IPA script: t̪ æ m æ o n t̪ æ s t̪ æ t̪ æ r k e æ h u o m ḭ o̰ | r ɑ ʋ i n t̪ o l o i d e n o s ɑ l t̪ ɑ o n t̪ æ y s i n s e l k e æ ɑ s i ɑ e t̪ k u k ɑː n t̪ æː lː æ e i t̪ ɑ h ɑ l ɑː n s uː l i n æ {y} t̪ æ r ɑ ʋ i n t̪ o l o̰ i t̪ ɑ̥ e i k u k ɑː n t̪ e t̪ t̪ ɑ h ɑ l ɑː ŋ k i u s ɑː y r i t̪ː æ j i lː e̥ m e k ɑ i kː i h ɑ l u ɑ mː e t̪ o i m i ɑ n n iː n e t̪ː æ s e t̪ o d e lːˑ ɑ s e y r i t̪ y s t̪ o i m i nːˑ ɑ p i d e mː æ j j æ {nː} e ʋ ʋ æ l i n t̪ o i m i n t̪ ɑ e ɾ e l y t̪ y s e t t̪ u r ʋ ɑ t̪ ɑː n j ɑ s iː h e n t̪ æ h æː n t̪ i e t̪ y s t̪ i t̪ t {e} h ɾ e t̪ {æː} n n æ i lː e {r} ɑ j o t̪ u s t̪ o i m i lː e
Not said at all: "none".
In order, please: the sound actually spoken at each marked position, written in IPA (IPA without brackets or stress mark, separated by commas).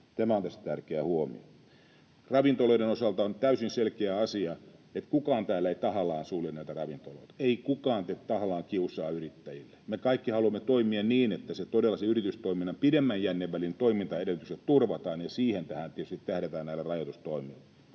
i, nː, æ, æː, r